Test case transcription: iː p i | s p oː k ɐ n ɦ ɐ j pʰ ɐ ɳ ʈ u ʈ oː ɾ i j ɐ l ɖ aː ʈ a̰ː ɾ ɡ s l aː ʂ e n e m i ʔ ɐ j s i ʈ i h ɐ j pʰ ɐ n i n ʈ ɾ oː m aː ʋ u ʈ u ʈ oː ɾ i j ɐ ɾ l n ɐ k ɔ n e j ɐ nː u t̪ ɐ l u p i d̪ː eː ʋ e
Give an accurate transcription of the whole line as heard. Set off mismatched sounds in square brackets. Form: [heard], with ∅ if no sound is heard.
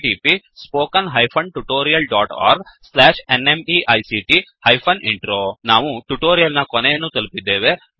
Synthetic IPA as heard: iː p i | s p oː k ɐ n ɦ ɐ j pʰ ɐ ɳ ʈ u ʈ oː ɾ i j ɐ l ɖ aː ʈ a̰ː ɾ ɡ s l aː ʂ e n e m i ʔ ɐ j s i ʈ i h ɐ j pʰ ɐ n i [ɳ] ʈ ɾ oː [n] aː ʋ u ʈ u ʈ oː ɾ i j ɐ [∅] l n ɐ k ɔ n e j ɐ nː u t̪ ɐ l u p i d̪ː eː ʋ e